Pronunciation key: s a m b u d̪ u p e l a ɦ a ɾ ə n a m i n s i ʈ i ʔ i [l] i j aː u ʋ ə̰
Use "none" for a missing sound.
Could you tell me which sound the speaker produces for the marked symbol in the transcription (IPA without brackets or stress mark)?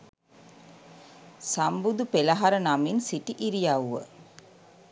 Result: ɾ